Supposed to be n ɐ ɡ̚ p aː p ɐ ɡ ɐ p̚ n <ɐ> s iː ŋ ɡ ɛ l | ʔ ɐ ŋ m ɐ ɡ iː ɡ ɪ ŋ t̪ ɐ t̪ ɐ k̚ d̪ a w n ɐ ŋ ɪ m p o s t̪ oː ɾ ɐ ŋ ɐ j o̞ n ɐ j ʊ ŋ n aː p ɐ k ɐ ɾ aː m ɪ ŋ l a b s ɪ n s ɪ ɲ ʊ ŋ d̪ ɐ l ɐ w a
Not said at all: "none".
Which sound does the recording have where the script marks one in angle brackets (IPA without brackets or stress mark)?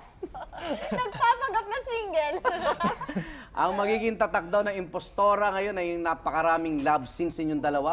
ɐ